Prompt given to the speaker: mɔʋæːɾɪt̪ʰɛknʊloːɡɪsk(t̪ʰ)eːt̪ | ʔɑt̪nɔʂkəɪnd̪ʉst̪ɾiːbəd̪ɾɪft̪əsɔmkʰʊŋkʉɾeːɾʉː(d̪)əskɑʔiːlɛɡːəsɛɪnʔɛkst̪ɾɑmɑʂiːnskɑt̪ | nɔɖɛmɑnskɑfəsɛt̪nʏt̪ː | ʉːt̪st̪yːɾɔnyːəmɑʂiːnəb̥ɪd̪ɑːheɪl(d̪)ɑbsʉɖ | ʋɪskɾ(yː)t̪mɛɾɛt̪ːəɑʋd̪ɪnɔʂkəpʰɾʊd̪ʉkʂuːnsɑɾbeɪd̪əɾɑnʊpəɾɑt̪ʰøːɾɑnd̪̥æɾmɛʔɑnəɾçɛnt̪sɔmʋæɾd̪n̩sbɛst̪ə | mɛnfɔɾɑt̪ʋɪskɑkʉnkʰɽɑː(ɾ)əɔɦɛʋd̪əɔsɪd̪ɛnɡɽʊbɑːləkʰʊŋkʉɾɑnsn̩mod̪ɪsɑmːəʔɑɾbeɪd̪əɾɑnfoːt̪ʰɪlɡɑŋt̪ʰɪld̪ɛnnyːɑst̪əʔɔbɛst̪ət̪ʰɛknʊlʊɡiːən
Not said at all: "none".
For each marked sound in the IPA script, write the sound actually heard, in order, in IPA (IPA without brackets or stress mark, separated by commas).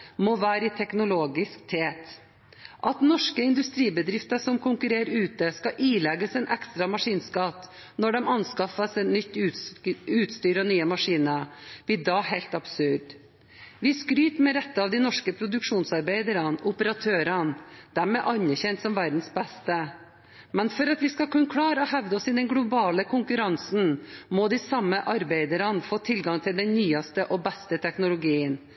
t̪ʰ, t̪, t̪, yː, ɾ